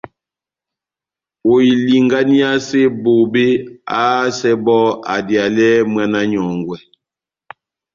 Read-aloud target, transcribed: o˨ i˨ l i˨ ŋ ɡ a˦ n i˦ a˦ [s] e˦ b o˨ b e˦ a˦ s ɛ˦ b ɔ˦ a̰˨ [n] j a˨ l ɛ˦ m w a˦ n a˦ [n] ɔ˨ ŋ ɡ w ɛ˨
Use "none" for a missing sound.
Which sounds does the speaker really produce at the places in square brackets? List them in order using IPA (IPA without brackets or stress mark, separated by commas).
s, d, ɲ